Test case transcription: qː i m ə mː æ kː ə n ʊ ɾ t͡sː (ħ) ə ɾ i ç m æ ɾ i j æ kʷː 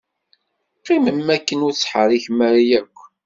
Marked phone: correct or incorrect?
correct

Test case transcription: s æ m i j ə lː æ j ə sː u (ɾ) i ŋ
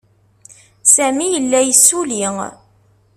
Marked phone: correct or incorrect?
incorrect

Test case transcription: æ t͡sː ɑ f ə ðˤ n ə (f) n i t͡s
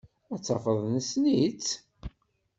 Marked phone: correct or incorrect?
incorrect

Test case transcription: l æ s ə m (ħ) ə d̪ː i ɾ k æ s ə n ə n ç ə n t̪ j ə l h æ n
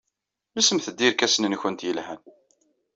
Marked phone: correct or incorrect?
incorrect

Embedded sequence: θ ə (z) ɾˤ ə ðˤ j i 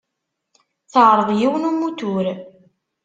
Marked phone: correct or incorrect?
incorrect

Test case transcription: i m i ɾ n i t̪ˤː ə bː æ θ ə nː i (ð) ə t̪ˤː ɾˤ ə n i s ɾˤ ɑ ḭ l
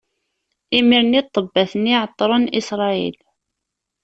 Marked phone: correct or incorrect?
incorrect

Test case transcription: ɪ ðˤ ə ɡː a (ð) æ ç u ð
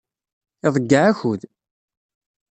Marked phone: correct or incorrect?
incorrect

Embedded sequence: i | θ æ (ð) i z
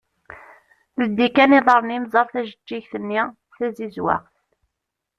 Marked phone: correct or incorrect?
incorrect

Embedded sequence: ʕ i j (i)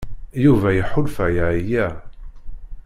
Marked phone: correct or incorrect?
incorrect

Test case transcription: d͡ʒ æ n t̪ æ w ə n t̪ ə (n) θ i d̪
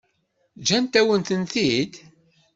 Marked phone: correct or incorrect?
correct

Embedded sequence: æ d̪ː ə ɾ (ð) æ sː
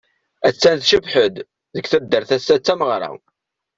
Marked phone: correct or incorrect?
incorrect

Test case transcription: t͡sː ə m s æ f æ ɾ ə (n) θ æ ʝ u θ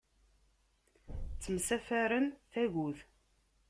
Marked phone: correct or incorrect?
correct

